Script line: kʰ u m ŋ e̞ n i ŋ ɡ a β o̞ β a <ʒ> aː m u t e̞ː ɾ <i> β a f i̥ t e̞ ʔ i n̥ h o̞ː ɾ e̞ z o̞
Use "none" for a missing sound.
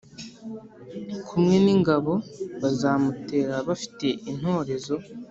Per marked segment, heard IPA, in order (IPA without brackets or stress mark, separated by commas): z, a